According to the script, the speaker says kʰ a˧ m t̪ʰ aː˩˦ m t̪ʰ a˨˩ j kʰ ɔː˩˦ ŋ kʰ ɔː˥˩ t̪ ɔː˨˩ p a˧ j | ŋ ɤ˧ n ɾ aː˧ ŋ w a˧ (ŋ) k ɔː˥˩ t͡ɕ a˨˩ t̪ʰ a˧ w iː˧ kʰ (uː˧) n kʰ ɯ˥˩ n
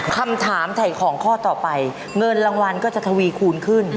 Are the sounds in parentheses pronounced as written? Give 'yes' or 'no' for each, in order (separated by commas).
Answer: no, yes